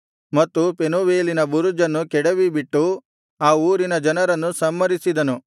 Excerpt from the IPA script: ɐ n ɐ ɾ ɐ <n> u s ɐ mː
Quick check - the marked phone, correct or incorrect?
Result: incorrect